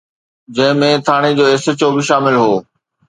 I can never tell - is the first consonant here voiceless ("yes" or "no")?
no